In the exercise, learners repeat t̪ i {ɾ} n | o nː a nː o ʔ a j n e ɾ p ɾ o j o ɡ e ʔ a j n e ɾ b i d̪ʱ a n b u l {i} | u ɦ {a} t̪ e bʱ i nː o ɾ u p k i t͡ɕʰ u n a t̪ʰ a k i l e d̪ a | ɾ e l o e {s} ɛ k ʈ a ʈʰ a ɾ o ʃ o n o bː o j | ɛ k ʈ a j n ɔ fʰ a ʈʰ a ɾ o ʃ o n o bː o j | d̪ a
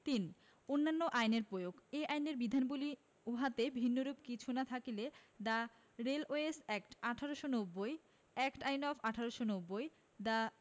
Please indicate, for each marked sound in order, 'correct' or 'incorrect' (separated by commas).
incorrect, correct, correct, correct